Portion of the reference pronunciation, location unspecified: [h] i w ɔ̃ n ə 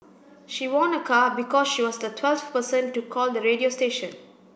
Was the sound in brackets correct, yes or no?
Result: no